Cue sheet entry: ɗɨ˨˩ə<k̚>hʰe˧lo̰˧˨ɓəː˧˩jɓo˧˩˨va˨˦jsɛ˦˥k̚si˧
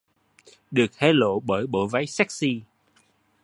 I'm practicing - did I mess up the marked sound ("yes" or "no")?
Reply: no